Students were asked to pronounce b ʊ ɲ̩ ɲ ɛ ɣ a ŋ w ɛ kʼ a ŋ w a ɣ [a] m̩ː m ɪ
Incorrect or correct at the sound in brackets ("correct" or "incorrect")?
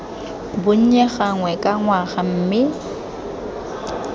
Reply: correct